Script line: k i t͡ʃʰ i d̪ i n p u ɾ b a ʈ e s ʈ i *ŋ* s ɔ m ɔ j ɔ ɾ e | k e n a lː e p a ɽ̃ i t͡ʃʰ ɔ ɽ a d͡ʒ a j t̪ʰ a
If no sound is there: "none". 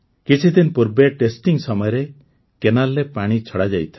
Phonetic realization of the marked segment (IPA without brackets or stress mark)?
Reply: ŋ